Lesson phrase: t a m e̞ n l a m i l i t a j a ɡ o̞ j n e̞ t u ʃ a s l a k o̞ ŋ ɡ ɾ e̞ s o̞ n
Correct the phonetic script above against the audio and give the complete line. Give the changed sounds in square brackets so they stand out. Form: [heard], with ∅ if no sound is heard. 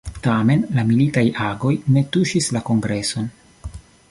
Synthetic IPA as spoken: t a m e̞ n l a m i l i t a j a ɡ o̞ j n e̞ t u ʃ [i] s l a k o̞ ŋ ɡ ɾ e̞ s o̞ n